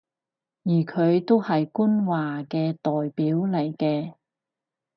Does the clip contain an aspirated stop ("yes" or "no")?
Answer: yes